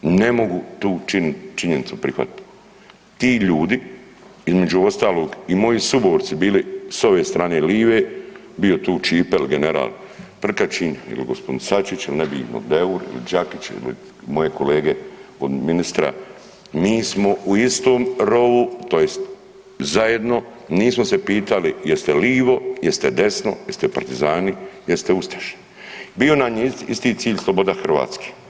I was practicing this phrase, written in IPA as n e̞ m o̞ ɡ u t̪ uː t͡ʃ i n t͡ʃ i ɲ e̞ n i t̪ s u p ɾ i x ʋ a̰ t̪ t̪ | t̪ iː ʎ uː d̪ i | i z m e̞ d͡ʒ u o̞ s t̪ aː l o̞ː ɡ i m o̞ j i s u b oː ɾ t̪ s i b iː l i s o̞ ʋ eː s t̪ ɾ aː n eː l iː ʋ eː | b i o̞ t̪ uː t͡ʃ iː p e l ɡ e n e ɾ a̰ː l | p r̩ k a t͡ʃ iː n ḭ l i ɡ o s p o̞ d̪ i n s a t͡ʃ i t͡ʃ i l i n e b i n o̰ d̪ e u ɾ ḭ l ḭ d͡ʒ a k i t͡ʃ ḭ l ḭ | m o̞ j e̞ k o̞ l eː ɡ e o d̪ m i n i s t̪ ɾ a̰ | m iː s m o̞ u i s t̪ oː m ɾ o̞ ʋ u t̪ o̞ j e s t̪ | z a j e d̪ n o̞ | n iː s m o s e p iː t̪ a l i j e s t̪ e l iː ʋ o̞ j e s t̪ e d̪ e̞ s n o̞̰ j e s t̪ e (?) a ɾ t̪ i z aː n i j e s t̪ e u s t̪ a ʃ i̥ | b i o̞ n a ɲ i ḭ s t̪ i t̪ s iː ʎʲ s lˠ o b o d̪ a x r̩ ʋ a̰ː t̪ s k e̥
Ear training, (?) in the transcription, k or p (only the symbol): p